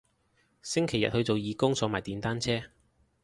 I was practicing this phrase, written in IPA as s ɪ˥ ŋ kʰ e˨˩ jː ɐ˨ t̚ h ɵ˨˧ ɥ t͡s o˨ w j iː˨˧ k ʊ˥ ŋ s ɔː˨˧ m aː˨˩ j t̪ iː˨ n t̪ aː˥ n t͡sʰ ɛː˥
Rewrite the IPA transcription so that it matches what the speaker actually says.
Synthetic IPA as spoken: s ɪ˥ ŋ kʰ e˨˩ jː ɐ˨ t̚ h ɵ˨˧ ɥ t͡s o˨ w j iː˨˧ k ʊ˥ ŋ s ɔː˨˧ m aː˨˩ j t̪ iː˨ n t̪ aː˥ n t͡sʰ ɛː˥